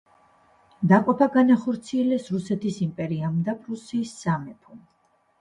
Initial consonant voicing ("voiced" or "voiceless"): voiced